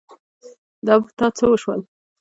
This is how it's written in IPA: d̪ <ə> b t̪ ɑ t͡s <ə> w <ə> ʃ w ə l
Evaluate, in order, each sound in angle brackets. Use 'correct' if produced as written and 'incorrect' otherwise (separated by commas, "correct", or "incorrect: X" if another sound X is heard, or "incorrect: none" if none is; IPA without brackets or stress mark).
incorrect: ɑ, correct, correct